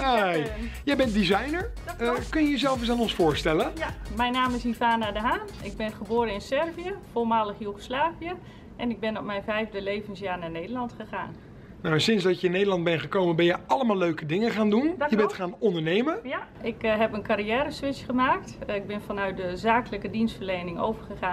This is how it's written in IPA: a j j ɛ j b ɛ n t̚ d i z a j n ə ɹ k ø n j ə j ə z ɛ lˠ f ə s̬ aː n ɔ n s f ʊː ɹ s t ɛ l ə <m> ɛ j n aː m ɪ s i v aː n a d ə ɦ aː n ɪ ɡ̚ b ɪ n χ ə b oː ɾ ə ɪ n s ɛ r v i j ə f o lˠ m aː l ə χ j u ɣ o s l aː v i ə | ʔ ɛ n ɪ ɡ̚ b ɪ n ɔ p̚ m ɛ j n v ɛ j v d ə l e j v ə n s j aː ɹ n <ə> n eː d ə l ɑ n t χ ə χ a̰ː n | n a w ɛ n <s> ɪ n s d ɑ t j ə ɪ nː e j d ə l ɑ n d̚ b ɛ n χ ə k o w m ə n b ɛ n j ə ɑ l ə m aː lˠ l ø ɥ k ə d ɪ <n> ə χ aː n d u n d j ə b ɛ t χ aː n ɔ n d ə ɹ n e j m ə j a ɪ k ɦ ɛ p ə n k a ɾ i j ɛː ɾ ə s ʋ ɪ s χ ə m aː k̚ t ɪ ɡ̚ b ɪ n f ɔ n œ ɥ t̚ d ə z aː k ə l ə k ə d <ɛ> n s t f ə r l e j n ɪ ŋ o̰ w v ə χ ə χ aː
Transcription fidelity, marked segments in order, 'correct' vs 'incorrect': correct, incorrect, correct, incorrect, incorrect

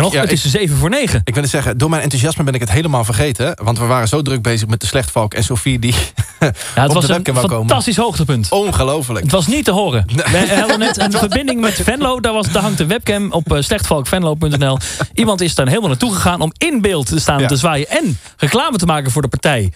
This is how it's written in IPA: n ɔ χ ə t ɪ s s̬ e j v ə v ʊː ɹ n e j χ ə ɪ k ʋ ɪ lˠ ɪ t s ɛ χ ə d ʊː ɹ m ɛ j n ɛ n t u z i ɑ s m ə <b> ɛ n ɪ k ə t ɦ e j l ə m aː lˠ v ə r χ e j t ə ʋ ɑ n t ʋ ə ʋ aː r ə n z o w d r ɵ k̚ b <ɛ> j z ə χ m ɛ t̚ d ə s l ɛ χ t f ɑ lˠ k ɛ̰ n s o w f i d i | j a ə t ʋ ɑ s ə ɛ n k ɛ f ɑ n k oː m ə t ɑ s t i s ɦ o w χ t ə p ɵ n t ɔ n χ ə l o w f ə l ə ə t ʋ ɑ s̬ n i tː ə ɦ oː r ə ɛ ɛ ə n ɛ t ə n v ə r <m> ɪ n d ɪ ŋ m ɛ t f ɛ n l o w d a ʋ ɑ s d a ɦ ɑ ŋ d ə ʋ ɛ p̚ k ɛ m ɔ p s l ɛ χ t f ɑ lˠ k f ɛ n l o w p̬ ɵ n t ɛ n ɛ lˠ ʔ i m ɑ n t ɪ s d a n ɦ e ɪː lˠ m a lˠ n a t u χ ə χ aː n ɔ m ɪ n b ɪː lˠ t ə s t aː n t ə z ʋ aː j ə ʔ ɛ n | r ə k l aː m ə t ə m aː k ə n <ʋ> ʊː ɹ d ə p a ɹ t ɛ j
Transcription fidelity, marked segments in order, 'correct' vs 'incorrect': correct, incorrect, incorrect, incorrect

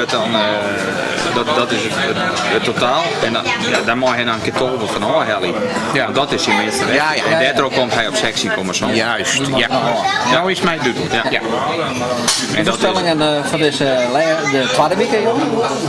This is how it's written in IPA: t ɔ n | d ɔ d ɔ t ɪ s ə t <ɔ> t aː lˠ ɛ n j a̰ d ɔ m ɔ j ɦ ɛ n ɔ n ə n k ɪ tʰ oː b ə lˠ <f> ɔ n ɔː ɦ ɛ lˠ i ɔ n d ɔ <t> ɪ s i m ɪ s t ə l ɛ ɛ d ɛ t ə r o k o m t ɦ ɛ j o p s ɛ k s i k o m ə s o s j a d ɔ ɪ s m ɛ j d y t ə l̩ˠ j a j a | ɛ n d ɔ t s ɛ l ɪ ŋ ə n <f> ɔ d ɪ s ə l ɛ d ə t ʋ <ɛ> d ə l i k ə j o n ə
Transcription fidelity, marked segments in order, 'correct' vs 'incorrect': incorrect, correct, correct, correct, incorrect

